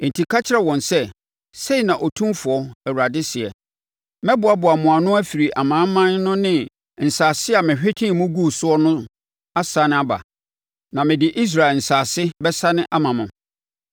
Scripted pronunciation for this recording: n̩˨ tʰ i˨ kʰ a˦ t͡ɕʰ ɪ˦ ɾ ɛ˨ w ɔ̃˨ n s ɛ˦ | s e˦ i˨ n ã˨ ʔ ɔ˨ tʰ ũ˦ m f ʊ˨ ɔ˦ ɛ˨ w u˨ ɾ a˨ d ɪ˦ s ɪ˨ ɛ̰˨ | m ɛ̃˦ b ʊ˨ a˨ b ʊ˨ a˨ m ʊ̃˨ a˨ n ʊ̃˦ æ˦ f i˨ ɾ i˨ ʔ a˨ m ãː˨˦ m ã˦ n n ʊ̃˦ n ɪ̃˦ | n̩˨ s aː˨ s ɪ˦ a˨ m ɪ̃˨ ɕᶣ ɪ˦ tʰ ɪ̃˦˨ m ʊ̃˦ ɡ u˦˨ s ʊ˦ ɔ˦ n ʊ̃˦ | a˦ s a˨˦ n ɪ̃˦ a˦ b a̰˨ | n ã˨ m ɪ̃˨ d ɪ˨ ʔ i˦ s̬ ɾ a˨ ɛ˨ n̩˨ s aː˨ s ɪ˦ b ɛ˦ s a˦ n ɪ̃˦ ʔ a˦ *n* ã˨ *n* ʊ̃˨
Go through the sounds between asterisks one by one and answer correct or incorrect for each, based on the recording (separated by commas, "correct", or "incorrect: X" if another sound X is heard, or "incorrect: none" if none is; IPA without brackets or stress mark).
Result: incorrect: m, incorrect: m